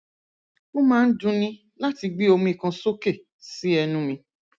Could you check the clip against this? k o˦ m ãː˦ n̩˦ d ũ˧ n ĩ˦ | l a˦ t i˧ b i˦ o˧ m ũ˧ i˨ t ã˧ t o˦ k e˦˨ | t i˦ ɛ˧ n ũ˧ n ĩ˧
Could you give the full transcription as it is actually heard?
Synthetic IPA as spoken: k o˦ m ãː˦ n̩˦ d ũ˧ n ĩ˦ | l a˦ t i˧ ɡ͡b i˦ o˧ m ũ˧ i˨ k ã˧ s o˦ k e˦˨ | s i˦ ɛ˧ n ũ˧ m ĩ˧